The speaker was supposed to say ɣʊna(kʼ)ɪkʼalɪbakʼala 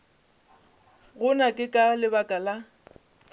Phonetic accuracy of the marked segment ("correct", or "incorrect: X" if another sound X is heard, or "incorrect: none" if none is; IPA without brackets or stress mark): correct